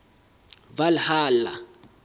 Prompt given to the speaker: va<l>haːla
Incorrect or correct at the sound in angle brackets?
correct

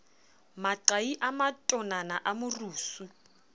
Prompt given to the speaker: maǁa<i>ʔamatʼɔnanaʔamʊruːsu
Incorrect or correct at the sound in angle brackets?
correct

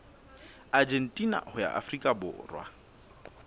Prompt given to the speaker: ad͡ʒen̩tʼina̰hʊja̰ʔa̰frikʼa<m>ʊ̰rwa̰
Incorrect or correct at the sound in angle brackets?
incorrect: b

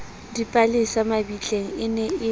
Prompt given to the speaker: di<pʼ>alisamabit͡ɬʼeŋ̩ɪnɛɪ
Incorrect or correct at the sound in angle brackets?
correct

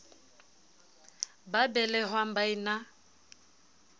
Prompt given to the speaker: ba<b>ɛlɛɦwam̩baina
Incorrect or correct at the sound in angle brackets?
correct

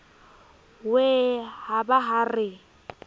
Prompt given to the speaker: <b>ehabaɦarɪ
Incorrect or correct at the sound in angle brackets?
incorrect: w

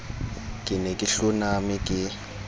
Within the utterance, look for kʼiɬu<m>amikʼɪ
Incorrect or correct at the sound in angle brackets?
incorrect: n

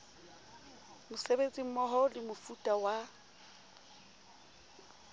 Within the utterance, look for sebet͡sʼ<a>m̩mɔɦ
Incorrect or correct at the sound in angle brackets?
incorrect: i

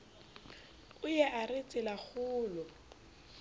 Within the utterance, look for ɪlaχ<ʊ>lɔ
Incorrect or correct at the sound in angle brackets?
incorrect: ʊː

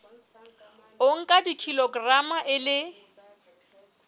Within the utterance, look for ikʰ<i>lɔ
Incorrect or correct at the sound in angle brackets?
correct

